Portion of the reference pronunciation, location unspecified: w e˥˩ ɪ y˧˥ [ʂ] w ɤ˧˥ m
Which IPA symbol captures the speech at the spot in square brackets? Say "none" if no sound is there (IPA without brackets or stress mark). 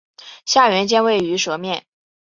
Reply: ʂ